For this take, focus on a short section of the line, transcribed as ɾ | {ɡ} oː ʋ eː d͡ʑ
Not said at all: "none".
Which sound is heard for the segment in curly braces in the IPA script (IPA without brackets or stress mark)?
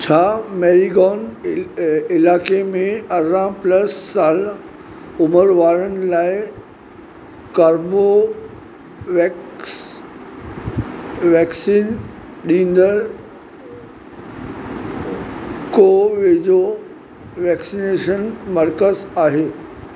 k